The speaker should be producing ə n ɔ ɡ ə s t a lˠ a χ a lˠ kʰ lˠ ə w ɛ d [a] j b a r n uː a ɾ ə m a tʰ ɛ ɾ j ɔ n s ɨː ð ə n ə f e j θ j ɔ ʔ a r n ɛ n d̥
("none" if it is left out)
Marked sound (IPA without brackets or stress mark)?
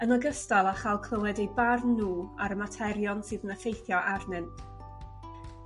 e